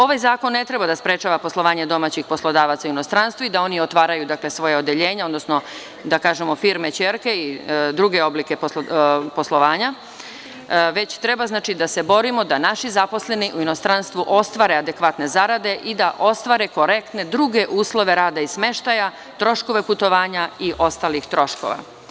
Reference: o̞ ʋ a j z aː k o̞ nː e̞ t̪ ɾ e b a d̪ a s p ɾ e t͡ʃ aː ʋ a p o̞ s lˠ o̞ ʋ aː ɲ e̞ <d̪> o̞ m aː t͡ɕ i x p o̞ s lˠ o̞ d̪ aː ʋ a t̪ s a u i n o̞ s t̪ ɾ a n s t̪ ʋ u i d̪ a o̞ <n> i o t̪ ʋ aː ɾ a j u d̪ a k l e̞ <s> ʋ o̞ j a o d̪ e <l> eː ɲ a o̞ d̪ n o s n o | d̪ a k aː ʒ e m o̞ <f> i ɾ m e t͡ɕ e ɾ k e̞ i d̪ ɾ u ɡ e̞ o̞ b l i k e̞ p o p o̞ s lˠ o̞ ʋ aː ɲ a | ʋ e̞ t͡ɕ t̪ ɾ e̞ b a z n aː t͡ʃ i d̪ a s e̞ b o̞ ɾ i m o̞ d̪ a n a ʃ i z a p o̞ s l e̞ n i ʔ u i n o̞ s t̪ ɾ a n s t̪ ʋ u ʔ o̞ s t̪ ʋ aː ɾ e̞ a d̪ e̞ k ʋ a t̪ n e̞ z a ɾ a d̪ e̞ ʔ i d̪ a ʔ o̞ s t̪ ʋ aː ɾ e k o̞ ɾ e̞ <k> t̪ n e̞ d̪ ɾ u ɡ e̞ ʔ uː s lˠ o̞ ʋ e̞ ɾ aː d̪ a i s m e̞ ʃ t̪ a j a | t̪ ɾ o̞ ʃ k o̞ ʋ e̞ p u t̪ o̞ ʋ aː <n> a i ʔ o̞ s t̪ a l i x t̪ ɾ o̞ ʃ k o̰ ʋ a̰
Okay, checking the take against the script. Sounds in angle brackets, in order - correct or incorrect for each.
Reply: correct, correct, correct, incorrect, correct, correct, incorrect

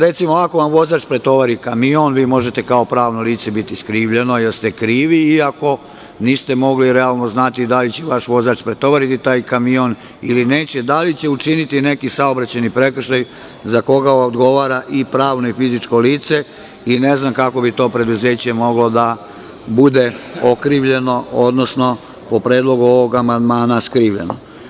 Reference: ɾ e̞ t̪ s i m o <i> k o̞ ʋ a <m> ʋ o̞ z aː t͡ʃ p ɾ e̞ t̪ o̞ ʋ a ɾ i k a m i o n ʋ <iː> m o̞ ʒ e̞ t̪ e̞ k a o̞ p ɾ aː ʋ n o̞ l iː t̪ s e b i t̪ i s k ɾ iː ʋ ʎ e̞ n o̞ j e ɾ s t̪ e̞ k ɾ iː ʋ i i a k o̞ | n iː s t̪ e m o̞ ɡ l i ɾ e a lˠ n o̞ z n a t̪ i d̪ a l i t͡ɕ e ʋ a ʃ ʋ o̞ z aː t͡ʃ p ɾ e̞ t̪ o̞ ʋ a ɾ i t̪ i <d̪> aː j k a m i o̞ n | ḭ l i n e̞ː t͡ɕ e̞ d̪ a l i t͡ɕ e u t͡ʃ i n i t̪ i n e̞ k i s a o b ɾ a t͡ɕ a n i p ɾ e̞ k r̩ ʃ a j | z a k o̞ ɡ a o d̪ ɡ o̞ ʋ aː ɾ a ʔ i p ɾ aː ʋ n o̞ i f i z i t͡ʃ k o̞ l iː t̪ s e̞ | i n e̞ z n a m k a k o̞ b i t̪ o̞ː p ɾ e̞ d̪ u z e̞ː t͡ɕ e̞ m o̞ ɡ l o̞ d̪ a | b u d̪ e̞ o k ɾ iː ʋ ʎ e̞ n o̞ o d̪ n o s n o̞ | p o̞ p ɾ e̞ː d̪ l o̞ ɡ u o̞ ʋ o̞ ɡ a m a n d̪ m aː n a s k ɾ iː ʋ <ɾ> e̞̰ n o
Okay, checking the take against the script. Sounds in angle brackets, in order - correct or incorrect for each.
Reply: incorrect, correct, correct, incorrect, incorrect

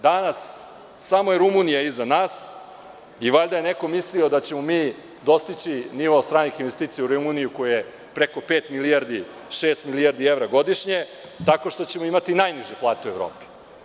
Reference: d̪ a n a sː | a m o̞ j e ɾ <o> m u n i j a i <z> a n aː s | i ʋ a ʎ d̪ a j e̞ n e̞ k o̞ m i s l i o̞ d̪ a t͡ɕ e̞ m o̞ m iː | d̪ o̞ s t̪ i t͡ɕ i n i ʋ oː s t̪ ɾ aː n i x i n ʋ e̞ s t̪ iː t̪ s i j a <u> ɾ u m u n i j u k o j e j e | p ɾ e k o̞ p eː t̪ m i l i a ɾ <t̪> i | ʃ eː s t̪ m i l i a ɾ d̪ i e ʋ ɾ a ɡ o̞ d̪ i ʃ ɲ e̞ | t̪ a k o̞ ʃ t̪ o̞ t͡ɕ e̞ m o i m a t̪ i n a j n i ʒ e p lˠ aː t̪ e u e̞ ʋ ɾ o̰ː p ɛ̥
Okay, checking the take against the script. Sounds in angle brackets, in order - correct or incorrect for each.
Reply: incorrect, correct, correct, incorrect

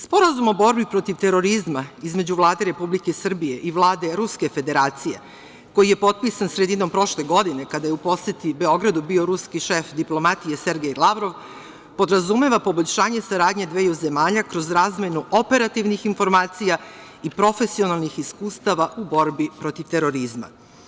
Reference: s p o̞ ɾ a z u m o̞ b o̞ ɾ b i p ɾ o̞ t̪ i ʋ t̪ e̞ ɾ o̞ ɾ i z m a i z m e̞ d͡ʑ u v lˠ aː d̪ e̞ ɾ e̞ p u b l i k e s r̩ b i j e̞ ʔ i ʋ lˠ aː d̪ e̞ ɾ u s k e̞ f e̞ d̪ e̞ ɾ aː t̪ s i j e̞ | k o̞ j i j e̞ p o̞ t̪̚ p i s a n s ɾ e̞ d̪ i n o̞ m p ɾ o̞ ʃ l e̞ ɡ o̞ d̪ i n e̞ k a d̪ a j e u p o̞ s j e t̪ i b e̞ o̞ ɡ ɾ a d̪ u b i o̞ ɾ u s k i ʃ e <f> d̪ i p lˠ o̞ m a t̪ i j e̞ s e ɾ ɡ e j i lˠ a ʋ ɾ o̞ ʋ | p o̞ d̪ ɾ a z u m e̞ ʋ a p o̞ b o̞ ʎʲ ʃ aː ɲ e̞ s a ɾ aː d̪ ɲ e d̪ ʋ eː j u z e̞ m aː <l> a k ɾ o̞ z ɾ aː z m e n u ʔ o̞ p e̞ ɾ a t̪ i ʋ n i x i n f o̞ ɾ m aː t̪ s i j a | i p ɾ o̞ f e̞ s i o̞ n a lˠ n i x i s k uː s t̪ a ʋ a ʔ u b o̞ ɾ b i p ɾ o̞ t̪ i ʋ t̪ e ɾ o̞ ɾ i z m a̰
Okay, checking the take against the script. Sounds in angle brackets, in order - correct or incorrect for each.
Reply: correct, incorrect

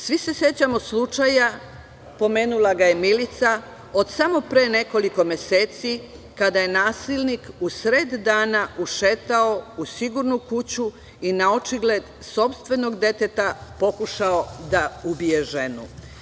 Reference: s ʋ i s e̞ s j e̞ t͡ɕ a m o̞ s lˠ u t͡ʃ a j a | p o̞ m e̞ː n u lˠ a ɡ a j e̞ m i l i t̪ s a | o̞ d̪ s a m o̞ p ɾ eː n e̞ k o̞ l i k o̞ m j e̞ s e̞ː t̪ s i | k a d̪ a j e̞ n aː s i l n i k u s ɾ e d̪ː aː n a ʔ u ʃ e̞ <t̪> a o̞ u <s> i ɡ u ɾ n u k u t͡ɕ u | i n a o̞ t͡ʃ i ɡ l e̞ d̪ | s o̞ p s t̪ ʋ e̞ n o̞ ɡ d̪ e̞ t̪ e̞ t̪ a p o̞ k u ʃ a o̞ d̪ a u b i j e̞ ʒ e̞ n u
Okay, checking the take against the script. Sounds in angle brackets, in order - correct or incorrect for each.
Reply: correct, correct

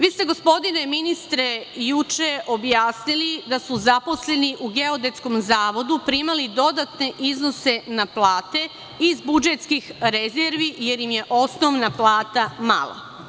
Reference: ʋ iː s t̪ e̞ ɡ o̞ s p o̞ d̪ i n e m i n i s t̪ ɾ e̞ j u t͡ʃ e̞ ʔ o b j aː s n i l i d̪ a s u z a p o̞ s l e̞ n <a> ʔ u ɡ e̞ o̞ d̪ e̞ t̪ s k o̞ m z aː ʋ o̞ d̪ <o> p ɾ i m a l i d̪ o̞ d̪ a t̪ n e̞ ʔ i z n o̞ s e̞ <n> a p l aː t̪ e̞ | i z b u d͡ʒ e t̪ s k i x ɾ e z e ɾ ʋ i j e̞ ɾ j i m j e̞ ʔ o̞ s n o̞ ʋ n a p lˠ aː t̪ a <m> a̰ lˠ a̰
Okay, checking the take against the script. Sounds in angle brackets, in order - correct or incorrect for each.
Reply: incorrect, incorrect, correct, correct

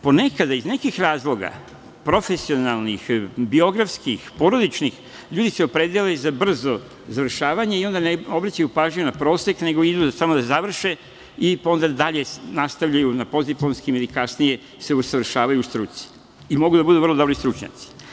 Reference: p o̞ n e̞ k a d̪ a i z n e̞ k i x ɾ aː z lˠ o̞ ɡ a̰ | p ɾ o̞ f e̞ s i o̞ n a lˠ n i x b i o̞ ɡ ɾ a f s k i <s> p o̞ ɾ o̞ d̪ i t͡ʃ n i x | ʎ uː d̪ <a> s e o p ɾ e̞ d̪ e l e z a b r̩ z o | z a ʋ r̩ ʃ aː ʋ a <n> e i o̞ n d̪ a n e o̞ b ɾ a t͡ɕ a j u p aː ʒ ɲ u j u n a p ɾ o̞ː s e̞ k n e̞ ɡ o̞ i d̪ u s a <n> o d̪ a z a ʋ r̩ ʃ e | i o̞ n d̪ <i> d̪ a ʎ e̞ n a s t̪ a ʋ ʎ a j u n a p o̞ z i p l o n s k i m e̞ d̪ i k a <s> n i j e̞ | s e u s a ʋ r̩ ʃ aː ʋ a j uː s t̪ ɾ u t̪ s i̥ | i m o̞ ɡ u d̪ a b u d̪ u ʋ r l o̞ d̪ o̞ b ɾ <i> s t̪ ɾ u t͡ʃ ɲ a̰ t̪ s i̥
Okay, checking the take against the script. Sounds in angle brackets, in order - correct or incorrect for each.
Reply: incorrect, incorrect, incorrect, incorrect, incorrect, correct, correct

